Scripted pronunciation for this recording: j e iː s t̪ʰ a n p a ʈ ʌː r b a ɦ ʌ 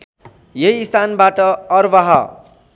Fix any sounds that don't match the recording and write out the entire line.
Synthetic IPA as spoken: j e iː s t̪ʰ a n b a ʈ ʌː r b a ɦ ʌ